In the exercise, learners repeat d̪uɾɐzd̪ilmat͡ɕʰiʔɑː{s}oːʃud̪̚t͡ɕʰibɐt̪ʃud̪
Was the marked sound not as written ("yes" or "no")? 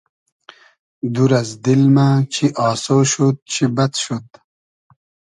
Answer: no